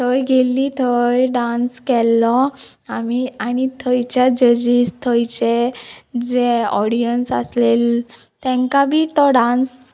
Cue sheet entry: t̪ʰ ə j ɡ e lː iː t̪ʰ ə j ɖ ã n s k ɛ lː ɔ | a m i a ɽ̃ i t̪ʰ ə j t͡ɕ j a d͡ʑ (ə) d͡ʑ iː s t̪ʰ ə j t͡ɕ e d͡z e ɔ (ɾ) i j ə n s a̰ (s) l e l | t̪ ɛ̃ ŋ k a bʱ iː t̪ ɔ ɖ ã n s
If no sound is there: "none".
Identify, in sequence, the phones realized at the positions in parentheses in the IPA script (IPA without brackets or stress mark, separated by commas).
ə, ɽ, s